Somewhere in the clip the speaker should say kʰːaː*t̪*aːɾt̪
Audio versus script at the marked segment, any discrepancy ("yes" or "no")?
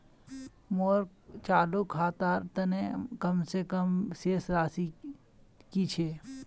no